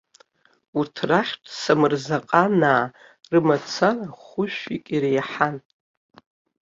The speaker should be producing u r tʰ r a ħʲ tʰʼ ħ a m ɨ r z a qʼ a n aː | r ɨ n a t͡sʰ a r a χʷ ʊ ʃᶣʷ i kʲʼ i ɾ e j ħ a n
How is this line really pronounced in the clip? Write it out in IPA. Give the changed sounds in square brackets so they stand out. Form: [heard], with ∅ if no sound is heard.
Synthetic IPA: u r tʰ r a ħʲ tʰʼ [s] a m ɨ r z a qʼ a n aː | r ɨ [m] a t͡sʰ a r a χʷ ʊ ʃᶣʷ i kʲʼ i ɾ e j ħ a n